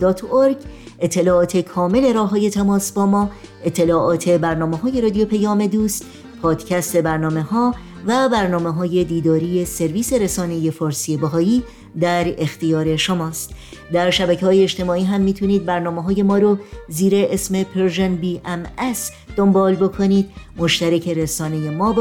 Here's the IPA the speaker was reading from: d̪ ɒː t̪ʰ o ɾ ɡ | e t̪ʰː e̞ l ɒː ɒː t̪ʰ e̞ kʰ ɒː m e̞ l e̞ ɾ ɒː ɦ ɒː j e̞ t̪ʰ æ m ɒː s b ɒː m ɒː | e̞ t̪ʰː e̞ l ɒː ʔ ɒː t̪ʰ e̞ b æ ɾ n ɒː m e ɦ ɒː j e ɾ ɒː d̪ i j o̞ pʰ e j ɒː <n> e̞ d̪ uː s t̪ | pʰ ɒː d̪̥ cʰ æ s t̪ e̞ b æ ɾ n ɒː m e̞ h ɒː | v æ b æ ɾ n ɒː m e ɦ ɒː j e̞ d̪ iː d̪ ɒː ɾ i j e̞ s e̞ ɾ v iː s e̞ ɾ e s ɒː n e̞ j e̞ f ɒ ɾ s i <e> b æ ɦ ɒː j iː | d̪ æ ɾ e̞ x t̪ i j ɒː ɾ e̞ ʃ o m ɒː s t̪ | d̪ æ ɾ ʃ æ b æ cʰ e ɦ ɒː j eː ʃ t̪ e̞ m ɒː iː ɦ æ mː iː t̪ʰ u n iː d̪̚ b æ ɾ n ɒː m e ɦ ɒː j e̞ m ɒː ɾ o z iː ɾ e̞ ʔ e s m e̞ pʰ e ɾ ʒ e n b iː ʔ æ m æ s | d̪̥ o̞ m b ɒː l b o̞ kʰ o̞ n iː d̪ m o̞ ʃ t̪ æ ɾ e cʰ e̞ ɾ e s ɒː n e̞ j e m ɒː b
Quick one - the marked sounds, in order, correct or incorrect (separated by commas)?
incorrect, correct